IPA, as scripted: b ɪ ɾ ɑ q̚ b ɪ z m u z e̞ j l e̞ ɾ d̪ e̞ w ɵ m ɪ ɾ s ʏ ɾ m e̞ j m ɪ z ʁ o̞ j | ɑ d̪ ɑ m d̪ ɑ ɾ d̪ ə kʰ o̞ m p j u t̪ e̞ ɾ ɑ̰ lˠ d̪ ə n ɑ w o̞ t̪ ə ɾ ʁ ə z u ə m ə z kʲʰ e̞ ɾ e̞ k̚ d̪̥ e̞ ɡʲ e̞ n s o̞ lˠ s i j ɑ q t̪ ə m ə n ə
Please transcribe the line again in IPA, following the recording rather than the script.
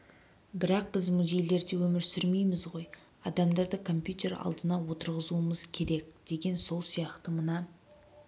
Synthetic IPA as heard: b ɪ ɾ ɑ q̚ b ɪ z m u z e̞ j l e̞ ɾ d̪ e̞ w ɵ m ɪ ɾ s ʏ ɾ m e̞ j m ɪ z ʁ o̞ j | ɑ d̪ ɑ m d̪ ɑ ɾ d̪ ə kʰ o̞ m p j u t̪ e̞ ɾ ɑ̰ lˠ d̪ ə n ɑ w o̞ t̪ ə ɾ ʁ ə z u ə m ə z kʲʰ e̞ ɾ e̞ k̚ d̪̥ e̞ ɡʲ e̞ n s o̞ lˠ s i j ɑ q t̪ ə m ə n ɑ